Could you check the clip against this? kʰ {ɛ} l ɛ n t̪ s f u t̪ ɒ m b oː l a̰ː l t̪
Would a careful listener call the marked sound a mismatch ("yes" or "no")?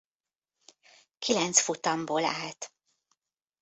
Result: yes